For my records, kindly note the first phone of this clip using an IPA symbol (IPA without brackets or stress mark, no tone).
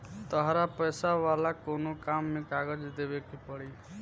t̪